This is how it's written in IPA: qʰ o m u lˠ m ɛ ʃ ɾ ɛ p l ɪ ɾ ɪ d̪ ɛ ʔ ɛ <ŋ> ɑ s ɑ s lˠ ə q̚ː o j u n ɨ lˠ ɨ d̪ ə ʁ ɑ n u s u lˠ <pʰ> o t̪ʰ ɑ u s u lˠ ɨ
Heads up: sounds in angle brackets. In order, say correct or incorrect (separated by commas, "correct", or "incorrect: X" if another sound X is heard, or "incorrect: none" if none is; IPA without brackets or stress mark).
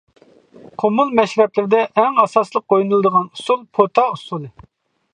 correct, correct